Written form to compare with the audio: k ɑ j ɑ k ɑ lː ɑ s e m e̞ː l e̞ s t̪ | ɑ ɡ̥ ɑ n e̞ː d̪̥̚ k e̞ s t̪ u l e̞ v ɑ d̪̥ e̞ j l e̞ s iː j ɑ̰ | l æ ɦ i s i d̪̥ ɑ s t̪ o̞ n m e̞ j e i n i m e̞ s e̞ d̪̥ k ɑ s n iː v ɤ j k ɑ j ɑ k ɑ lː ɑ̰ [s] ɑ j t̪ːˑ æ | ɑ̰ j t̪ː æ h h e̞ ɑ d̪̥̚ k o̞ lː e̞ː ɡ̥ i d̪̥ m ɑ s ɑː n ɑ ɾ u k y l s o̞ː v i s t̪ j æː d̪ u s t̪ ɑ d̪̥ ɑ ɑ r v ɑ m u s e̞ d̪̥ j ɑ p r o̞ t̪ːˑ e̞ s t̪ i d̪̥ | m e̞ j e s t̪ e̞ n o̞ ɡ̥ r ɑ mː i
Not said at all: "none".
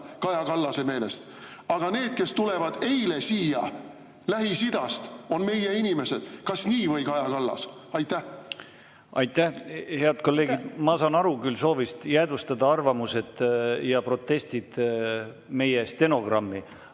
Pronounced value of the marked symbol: s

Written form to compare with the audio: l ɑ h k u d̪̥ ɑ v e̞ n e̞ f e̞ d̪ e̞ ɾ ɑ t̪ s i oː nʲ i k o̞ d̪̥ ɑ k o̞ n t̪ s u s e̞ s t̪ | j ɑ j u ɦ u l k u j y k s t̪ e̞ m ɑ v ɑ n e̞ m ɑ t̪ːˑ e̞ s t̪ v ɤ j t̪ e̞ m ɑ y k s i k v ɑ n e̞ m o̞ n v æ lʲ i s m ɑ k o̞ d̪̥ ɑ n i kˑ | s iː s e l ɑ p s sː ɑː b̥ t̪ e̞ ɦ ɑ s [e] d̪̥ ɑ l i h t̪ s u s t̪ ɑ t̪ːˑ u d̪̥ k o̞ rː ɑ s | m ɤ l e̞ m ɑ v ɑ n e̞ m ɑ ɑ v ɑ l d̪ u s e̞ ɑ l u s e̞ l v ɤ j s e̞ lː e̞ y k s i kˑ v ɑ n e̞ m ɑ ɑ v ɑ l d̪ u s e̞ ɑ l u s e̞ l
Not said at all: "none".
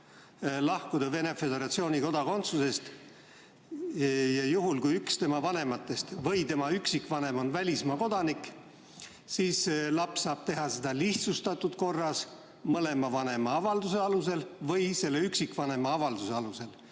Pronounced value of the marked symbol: e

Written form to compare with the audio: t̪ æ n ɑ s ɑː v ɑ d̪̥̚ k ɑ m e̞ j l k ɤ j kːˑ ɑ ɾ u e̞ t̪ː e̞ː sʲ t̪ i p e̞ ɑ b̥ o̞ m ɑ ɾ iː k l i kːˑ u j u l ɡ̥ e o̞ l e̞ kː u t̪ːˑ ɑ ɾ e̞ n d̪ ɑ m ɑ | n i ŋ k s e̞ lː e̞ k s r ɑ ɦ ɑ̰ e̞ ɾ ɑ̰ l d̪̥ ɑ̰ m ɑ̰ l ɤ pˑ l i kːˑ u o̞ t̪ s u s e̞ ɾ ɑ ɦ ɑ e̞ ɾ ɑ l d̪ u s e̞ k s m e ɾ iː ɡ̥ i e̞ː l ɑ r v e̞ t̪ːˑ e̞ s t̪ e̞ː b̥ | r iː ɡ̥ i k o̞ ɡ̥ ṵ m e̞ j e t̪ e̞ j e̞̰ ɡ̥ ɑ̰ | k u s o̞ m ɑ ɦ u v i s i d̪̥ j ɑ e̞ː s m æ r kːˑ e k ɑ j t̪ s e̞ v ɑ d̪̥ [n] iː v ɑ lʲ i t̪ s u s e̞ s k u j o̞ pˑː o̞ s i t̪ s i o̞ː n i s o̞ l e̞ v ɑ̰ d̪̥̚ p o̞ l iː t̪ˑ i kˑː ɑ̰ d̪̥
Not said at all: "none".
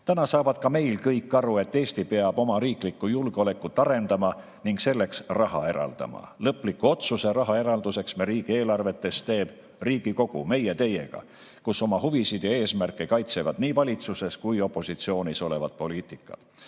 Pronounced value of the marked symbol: n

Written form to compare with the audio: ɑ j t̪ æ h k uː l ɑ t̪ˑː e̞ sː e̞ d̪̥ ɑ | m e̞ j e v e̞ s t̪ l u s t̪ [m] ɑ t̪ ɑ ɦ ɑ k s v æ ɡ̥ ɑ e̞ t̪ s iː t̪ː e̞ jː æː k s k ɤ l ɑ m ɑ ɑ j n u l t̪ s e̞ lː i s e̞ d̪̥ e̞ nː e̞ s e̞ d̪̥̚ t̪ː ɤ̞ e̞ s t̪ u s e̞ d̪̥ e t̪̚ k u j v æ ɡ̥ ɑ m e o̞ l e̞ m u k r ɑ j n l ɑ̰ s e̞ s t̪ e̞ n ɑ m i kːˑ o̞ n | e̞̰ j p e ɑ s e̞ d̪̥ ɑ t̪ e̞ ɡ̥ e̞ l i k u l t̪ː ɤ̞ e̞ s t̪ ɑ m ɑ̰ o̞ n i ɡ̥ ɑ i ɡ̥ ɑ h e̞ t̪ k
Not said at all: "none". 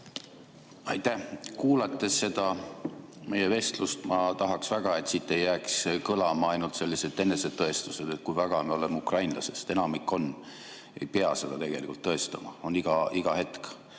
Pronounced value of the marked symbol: m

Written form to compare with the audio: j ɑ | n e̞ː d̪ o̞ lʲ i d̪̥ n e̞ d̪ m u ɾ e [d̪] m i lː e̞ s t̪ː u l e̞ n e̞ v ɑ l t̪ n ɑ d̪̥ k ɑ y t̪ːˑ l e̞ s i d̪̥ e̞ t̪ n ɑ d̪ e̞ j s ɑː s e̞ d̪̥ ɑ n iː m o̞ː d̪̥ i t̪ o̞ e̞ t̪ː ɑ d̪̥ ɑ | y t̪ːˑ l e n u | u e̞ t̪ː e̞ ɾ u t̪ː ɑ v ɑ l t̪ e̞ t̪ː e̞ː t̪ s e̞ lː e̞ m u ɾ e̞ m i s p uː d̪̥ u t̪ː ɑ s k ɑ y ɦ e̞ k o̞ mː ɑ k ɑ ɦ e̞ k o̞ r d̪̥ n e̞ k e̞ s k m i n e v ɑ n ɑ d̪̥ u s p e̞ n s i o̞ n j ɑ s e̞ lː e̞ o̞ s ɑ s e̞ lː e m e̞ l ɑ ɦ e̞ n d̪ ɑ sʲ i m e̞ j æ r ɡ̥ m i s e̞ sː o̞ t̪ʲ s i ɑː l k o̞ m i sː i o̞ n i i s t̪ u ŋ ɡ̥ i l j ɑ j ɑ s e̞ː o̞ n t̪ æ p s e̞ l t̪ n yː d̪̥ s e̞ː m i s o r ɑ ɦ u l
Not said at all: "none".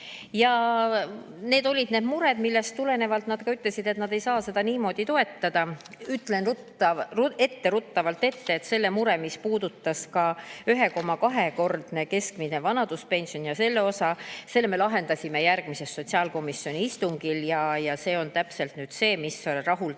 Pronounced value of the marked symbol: d̪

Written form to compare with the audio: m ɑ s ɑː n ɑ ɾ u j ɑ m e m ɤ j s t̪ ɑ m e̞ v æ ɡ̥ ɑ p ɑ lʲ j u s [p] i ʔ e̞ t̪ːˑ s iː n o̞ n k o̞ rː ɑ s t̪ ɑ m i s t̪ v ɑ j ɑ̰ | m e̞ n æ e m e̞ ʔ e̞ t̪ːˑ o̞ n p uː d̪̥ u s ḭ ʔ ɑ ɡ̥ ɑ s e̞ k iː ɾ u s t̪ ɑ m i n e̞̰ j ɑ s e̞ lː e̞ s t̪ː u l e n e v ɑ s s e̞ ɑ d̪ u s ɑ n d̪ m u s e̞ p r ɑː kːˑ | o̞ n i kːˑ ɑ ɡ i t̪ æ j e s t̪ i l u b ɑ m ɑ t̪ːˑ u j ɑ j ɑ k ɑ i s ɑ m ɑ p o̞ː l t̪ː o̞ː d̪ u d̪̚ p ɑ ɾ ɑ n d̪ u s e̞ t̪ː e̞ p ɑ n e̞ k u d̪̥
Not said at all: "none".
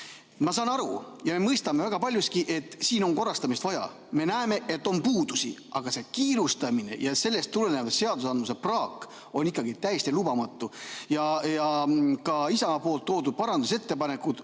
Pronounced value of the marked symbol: k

